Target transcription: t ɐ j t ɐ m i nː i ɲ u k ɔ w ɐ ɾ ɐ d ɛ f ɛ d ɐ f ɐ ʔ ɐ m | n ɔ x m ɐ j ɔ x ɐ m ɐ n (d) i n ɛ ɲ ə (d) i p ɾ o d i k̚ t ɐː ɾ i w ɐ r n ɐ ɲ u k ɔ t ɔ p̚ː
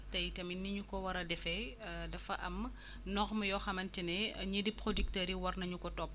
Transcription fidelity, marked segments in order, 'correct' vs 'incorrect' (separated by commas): incorrect, correct